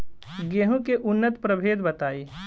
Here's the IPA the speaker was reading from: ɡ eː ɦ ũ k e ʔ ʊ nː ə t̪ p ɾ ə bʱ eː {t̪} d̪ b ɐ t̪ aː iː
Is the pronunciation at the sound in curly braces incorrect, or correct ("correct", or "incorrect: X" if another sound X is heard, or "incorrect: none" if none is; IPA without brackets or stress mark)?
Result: incorrect: none